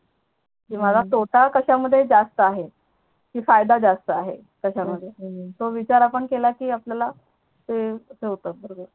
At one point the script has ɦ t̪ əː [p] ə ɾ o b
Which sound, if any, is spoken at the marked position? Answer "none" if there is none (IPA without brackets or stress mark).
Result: b